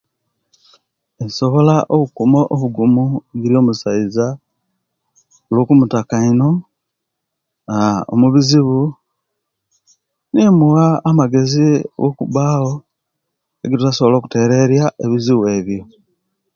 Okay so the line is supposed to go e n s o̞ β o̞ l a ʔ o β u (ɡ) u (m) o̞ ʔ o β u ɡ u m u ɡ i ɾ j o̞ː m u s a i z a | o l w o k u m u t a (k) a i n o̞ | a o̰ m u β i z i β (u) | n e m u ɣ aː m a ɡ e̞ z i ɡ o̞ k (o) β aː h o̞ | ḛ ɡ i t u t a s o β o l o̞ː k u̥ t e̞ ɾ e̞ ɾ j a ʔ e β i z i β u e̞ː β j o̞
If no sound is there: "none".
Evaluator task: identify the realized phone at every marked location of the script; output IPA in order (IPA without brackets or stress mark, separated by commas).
k, m, k, u, u